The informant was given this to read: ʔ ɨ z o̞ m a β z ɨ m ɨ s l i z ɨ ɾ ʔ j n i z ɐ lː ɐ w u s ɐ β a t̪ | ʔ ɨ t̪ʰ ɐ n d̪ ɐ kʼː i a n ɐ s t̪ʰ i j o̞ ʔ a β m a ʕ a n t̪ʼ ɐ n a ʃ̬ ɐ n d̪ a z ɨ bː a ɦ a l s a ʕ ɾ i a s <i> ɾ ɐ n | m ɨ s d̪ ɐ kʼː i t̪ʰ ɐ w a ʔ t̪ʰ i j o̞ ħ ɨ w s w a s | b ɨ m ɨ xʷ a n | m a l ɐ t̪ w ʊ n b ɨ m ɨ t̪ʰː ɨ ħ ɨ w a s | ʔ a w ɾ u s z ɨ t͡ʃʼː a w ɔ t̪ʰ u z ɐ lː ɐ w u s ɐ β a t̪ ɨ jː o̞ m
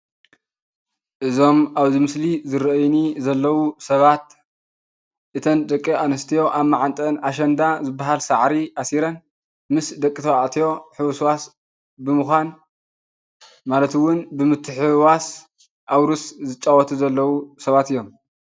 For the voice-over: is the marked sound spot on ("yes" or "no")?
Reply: yes